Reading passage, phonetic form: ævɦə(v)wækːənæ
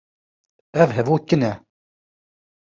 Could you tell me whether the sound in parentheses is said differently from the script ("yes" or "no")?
no